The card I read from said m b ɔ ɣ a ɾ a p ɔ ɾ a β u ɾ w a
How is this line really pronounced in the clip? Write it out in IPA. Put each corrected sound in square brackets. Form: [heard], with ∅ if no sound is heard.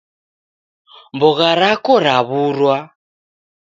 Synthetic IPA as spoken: m b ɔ ɣ a ɾ a [k] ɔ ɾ a β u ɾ w a